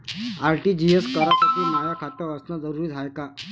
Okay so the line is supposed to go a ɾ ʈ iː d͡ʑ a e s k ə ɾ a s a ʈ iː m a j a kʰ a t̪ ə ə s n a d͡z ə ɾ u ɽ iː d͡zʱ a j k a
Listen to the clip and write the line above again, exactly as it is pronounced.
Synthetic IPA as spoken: a ɾ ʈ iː d͡ʑ i e s k ə ɾ a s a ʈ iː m a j a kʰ a t̪ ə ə s n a d͡z ə ɾ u ɾ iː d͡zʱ a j k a